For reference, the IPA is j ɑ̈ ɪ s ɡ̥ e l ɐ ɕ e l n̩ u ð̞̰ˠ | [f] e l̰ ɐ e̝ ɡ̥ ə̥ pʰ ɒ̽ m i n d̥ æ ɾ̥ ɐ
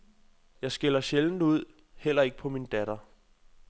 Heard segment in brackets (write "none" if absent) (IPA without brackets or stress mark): h